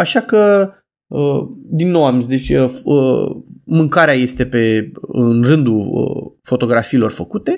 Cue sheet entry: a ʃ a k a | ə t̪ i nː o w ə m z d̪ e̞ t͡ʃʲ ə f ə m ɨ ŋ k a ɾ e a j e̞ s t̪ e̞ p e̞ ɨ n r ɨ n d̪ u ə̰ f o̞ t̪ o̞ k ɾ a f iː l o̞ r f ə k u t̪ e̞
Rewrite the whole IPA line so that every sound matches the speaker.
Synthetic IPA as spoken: a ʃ a k ə | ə d̪ i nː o w a m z d̪ e̞ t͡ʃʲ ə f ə m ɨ ŋ k a ɾ e a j e̞ s t̪ e̞ p e̞ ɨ n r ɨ n d̪ u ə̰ f o̞ t̪ o̞ ɡ ɾ a f iː l o̞ r f ə k u t̪ e̞